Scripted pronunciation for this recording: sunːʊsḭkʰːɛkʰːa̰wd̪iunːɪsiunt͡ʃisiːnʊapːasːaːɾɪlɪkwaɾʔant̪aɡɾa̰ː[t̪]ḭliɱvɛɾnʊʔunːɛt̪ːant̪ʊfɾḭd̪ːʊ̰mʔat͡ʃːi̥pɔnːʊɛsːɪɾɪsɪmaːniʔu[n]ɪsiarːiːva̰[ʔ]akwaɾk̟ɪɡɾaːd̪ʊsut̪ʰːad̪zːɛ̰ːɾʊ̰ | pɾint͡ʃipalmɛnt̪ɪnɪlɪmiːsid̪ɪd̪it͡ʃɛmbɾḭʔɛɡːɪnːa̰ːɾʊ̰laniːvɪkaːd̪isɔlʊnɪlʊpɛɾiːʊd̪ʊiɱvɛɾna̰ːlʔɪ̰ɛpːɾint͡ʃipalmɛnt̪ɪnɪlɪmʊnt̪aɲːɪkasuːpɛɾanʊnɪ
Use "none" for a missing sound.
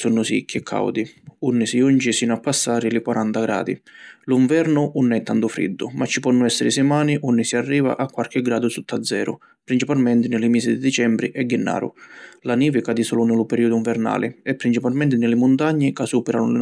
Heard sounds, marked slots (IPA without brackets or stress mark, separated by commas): d̪, nː, ʔ